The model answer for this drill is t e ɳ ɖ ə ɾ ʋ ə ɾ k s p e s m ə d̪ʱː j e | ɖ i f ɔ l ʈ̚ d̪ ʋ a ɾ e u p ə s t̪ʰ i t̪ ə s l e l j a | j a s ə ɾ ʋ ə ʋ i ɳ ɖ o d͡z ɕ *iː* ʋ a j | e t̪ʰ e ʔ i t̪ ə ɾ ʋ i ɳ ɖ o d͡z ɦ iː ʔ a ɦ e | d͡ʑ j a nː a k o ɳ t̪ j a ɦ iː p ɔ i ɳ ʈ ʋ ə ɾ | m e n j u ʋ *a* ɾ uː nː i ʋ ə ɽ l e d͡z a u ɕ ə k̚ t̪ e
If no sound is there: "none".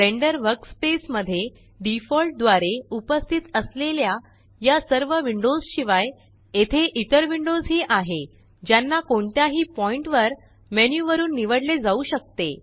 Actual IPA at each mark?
i, ə

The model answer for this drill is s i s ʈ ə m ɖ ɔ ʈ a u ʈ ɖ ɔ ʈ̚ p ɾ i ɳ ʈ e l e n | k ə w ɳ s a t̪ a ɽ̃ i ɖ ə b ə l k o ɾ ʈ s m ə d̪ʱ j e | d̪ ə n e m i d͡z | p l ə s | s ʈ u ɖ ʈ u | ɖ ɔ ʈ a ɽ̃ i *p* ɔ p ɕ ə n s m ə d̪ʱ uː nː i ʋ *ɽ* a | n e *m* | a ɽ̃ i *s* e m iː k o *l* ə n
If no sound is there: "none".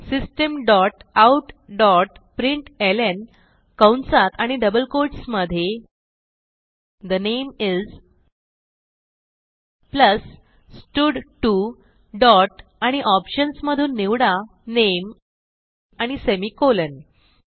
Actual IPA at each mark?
ʔ, ɽ, m, s, l

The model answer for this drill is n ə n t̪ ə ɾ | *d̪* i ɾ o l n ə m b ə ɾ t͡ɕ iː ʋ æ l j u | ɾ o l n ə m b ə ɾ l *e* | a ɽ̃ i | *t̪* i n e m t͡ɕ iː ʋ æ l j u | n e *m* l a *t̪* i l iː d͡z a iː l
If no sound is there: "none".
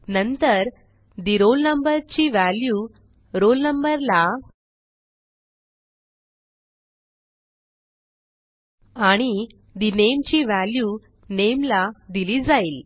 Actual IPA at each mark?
d̪, a, d̪, m, d̪

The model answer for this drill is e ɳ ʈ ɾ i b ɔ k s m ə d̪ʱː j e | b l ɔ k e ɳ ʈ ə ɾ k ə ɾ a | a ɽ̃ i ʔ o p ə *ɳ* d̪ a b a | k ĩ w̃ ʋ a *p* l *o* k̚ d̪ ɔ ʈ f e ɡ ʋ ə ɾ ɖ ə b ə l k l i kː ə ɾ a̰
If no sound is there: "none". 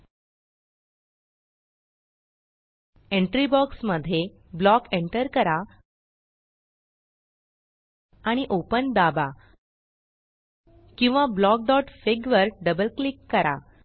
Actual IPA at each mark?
n, b, ɔ

